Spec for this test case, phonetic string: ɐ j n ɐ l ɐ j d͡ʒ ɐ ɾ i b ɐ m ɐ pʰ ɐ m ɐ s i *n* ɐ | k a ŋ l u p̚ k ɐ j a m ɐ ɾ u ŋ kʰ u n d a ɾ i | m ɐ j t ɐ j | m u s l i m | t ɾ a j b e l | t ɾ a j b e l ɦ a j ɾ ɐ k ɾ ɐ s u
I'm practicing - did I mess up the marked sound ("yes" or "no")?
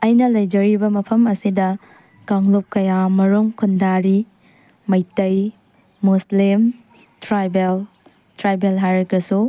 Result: yes